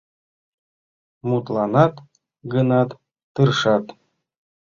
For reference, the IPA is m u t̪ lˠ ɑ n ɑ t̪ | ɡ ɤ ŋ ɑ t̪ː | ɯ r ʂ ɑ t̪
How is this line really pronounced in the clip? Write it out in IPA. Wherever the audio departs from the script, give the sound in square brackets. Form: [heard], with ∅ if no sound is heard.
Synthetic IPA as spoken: m u t̪ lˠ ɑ n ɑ t̪ | ɡ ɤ [n] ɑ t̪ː | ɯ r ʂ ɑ t̪